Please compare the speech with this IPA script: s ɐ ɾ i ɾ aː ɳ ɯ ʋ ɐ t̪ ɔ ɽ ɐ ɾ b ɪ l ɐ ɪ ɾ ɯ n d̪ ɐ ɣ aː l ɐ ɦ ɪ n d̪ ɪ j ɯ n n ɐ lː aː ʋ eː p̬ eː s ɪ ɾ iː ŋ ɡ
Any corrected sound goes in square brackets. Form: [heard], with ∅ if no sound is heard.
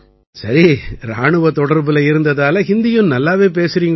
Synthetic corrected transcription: s ɐ ɾ i ɾ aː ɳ ɯ ʋ ɐ t̪ ɔ ɽ ɐ ɾ b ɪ l ɐ ɪ ɾ ɯ n d̪ ɐ [ð] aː l ɐ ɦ ɪ n d̪ ɪ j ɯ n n ɐ lː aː ʋ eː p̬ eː s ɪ ɾ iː ŋ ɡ